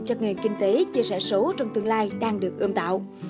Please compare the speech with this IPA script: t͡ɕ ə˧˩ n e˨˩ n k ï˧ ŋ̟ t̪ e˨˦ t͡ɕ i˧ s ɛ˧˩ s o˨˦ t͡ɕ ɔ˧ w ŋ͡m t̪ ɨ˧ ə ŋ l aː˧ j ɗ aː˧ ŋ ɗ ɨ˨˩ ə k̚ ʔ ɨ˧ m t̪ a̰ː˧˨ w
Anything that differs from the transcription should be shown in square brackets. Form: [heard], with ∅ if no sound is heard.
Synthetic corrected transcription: t͡ɕ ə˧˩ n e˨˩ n k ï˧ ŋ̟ t̪ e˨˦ t͡ɕ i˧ s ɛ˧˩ s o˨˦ t͡ɕ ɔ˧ w ŋ͡m t̪ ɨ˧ ə ŋ l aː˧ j ɗ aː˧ ŋ ɗ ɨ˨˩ ə k̚ ʔ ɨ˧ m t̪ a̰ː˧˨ w